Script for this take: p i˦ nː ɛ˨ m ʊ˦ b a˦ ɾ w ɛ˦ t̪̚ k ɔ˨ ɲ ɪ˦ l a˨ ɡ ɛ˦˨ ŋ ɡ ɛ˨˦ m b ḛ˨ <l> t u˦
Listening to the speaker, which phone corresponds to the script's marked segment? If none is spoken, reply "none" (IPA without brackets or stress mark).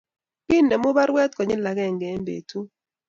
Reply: none